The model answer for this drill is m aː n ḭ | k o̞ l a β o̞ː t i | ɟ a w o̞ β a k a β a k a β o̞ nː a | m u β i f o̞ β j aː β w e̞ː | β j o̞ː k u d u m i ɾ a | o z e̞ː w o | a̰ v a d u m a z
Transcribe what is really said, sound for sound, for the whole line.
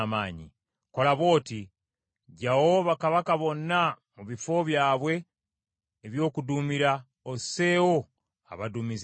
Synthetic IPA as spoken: m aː ɲ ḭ | k o̞ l a β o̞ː t i | ɟ a w o̞ β a k a β a k a β o̞ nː a | m u β i f o̞ β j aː β w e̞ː | β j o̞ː k u d u m i ɾ a | o s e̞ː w o | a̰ β a d u m i z